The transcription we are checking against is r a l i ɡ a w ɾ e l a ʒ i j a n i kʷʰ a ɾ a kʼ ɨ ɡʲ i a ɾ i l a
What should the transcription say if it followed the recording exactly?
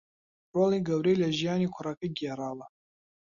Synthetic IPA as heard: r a l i ɡ a w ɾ e l a ʒ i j a n i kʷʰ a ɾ a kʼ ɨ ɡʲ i a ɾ a l a